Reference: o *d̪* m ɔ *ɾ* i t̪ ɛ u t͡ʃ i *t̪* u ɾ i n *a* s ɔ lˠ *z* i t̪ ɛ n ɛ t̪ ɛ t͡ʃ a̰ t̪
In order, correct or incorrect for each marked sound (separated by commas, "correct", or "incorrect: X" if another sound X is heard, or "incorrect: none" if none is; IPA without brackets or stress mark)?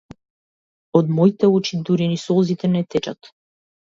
correct, incorrect: none, incorrect: d̪, incorrect: i, correct